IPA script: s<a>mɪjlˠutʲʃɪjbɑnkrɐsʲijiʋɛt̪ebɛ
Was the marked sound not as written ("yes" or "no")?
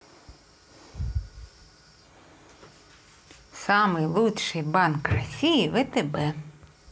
yes